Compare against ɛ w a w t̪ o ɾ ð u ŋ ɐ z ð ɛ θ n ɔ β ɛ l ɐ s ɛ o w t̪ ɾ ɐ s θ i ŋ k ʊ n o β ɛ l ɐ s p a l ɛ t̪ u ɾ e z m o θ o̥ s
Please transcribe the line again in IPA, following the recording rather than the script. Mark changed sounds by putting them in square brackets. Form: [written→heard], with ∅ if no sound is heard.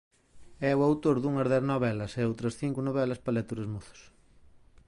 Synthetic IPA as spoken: ɛ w a w t̪ o ɾ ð u ŋ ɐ z ð ɛ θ n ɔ β ɛ l ɐ s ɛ o w t̪ ɾ ɐ s θ i ŋ k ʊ n o β ɛ l ɐ s p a l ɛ t̪ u ɾ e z m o θ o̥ s

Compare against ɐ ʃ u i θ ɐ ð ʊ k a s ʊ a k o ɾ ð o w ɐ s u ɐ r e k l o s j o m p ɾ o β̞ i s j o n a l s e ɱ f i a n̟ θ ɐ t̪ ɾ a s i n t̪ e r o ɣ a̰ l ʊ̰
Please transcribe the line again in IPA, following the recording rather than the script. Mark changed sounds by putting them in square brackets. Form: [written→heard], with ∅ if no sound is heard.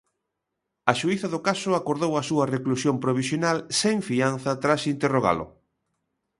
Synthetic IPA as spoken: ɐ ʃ u i θ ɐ ð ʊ k a s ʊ a k o ɾ ð o w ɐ s u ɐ r e k l [o→u] s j o m p ɾ o β̞ i s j o n a l s e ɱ f i a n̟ θ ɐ t̪ ɾ a s i n t̪ e r o ɣ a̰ l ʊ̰

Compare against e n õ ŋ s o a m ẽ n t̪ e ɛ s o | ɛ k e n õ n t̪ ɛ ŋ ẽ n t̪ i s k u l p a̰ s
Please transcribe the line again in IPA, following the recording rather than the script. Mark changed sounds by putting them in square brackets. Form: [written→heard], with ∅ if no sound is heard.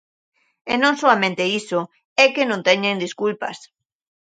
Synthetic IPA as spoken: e n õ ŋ s o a m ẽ n t̪ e [ɛ→i] s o | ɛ k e n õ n t̪ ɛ [ŋ→ɲ] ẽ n [t̪→d̪] i s k u l p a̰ s

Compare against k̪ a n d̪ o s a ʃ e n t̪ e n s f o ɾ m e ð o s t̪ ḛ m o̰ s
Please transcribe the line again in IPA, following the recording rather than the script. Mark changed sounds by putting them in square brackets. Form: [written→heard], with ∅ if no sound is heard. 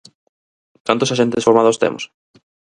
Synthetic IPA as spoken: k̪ a n [d̪→t̪] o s a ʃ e n t̪ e [n→∅] s f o ɾ m [e→a] ð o s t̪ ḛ m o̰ s

